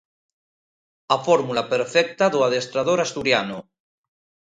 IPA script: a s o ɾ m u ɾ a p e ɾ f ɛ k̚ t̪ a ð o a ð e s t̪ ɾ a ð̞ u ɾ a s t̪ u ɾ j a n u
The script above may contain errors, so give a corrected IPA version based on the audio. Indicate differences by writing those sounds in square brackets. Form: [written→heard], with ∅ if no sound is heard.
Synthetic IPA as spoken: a [s→f] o ɾ m u [ɾ→l] a p e ɾ f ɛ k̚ t̪ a ð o a ð e s t̪ ɾ a ð̞ [u→o] ɾ a s t̪ u ɾ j a n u